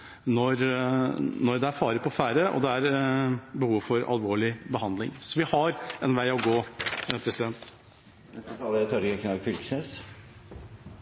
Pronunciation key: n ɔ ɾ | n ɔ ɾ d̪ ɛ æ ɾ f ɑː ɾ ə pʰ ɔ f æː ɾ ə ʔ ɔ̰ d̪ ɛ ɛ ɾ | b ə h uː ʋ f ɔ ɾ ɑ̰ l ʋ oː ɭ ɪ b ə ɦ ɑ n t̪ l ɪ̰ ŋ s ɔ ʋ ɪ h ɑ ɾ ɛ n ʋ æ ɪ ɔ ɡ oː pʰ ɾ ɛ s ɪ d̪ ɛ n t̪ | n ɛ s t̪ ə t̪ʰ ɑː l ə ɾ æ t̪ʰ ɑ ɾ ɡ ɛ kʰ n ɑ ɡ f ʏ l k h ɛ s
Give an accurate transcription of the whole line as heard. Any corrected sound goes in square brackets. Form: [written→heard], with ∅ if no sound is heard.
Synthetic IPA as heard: n ɔ ɾ | n ɔ ɾ d̪ ɛ æ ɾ f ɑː ɾ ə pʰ ɔ f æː ɾ ə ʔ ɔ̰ d̪ ɛ [ɛ→æ] ɾ | b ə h uː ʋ f ɔ ɾ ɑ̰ l ʋ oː ɭ ɪ b ə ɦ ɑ n [t̪→d̪] l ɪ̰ ŋ s ɔ ʋ ɪ h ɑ ɾ ɛ n ʋ æ ɪ ɔ ɡ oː pʰ ɾ ɛ s ɪ d̪ ɛ n t̪ | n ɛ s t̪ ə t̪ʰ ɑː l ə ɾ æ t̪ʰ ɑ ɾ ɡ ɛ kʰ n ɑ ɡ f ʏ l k [h→s] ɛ s